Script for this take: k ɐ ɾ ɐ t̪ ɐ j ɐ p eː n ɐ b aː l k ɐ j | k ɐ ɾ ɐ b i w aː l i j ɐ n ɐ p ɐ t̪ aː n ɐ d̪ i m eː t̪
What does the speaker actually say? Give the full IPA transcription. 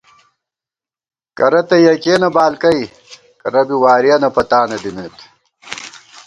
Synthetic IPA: k ɐ ɾ ɐ t̪ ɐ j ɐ k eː n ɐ b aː l k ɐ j | k ɐ ɾ ɐ b i w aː ɾ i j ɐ n ɐ p ɐ t̪ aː n ɐ d̪ i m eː t̪